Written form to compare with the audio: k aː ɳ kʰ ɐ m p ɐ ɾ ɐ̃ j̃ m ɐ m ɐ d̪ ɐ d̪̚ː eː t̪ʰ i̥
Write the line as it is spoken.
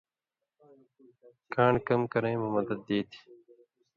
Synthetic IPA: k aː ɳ k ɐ m k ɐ ɾ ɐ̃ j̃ m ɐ m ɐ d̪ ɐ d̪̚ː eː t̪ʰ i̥